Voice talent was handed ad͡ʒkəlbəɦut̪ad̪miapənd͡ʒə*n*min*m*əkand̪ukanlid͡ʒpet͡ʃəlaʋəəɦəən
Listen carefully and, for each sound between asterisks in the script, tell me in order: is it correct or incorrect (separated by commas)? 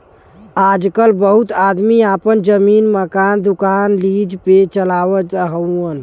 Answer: incorrect, correct